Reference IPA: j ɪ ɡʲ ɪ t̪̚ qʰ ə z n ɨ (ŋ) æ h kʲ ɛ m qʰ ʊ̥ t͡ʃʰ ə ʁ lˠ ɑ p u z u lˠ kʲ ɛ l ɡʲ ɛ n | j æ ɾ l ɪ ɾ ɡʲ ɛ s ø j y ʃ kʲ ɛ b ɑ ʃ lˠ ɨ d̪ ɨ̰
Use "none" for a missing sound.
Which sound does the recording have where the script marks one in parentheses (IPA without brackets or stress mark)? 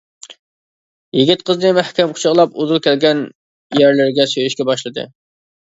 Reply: m